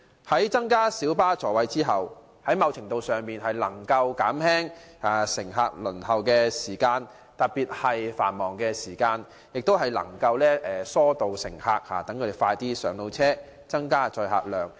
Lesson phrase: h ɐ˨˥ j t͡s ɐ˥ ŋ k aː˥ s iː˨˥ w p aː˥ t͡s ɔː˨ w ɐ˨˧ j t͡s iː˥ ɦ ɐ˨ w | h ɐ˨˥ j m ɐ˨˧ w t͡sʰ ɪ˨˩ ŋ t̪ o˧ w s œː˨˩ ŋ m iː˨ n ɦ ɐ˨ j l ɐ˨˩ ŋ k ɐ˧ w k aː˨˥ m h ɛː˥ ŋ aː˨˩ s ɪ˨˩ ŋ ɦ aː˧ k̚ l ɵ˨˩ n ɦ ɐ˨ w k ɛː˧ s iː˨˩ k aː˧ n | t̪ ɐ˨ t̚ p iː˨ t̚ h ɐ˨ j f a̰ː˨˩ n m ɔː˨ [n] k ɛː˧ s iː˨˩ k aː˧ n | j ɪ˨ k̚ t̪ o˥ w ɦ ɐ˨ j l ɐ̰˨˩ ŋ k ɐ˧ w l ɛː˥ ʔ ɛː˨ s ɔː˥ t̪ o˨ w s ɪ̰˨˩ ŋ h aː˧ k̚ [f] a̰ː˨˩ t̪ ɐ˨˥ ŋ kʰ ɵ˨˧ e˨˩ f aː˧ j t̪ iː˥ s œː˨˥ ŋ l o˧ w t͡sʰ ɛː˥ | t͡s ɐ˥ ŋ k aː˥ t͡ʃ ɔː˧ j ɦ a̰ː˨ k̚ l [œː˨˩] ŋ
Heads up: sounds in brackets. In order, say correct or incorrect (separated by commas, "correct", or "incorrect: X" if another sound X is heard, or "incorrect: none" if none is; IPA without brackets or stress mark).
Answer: incorrect: ŋ, incorrect: h, correct